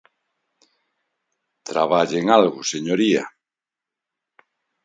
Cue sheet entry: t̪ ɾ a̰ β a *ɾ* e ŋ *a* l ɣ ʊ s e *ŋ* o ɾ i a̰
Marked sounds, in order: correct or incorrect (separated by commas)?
incorrect, correct, incorrect